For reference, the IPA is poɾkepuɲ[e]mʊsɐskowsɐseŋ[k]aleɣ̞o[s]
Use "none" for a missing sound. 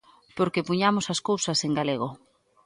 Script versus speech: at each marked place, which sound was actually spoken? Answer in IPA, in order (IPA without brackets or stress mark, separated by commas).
a, ɡ, none